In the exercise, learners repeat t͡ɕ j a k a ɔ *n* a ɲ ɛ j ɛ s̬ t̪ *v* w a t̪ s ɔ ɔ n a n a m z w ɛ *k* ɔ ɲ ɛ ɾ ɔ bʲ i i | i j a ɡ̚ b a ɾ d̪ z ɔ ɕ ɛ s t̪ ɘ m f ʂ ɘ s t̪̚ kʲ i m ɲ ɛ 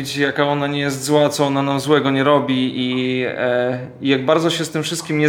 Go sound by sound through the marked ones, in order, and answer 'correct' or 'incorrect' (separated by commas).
correct, incorrect, incorrect